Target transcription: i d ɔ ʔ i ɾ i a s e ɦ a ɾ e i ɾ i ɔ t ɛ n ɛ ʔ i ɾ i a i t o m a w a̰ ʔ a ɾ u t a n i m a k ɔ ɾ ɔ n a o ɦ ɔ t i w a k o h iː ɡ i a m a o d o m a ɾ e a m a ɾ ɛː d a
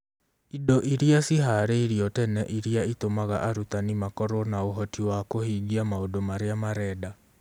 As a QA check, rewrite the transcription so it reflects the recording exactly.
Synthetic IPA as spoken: i d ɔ ʔ i ɾ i a s i ɦ a ɾ e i ɾ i ɔ t ɛ n ɛ ʔ i ɾ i a i t o m a ɣ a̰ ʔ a ɾ u t a n i m a k ɔ ɾ ɔ n a o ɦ ɔ t i w a k o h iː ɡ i a m a o d o m a ɾ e a m a ɾ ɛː d a